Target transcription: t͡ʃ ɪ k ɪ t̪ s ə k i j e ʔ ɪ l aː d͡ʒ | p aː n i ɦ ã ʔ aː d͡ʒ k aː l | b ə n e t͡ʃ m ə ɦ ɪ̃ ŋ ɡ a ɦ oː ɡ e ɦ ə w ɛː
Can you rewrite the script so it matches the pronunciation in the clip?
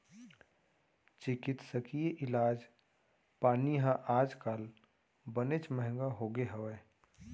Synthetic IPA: t͡ʃ ɪ k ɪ t̪ s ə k i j e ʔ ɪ l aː d͡ʒ | p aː n i ɦ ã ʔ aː d͡ʒ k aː l | b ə n e t͡ʃ m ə ɦ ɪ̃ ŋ ɡ a ɦ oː ɡ e ɦ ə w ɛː